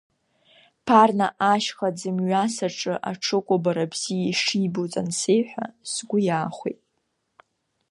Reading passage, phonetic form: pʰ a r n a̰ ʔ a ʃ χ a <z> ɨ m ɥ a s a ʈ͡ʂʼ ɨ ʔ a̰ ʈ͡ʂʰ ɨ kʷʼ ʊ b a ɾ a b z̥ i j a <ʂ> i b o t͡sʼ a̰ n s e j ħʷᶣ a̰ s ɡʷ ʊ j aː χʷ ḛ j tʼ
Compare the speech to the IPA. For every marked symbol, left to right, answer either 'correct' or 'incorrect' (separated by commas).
incorrect, correct